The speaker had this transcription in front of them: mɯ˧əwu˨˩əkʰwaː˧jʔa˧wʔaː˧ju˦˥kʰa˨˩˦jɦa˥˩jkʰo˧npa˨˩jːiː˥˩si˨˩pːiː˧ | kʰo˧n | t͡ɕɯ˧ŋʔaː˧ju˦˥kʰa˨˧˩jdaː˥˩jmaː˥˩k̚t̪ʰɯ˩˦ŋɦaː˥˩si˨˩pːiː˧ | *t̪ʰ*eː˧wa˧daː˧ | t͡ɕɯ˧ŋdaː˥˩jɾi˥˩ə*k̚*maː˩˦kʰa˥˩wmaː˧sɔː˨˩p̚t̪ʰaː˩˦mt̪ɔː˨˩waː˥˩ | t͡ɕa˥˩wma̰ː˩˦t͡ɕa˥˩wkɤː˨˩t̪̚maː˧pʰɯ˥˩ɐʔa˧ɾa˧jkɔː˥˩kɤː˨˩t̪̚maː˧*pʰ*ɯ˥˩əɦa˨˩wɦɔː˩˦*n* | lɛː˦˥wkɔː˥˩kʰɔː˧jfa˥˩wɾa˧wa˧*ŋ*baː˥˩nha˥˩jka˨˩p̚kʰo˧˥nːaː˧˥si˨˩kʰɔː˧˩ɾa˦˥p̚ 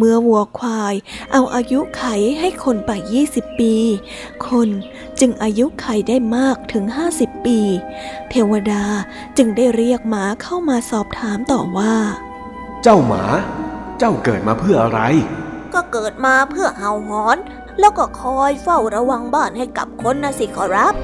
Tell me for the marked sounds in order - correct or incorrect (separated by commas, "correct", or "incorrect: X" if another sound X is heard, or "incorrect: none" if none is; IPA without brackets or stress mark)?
correct, correct, correct, correct, correct